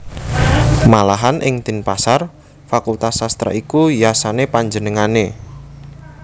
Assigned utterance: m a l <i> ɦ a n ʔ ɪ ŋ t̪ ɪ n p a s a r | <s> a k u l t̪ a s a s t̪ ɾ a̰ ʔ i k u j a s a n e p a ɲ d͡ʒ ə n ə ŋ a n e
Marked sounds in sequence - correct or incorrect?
incorrect, incorrect

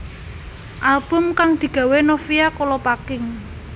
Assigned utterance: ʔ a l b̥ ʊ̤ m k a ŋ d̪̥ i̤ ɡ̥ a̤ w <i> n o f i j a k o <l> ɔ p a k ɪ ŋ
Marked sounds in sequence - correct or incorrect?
incorrect, correct

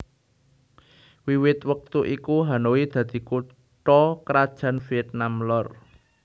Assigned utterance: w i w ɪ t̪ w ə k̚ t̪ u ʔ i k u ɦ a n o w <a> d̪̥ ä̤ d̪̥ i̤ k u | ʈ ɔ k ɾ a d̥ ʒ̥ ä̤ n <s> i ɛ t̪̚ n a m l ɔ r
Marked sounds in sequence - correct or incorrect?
incorrect, incorrect

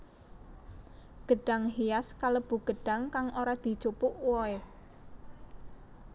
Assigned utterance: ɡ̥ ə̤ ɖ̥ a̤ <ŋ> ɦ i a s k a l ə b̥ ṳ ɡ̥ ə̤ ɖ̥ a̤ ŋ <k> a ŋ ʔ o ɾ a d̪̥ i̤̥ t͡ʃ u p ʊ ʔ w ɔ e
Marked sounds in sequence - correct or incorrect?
correct, correct

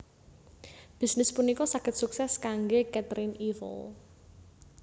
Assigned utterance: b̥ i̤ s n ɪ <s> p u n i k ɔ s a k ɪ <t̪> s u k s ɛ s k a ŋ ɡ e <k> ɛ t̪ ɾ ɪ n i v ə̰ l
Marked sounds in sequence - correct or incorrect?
correct, correct, correct

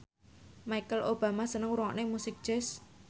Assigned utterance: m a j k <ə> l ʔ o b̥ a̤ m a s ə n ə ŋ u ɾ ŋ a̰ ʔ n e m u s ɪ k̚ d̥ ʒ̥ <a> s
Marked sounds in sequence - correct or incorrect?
correct, incorrect

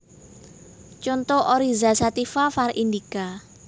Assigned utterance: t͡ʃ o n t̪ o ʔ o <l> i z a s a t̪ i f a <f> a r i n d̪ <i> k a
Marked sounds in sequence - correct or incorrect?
incorrect, correct, correct

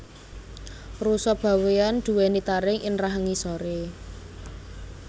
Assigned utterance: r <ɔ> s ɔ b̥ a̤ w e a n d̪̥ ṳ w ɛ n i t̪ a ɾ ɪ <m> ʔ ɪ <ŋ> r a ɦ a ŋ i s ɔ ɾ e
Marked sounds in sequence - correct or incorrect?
incorrect, incorrect, incorrect

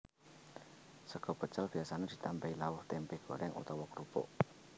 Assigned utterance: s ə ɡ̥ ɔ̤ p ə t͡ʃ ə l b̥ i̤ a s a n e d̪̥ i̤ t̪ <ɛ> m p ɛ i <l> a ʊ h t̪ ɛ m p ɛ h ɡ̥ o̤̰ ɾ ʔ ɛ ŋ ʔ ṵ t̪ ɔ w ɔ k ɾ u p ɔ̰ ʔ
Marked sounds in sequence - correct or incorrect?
incorrect, correct

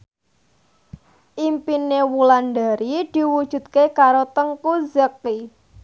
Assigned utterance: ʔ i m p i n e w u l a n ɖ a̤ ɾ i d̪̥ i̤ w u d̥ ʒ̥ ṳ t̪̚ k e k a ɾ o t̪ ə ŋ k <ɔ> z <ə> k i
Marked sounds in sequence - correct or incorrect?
incorrect, correct

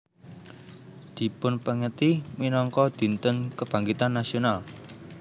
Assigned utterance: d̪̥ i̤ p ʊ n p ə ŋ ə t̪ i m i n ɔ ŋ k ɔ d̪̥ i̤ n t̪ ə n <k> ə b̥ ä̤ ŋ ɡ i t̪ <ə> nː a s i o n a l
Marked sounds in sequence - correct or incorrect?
correct, incorrect

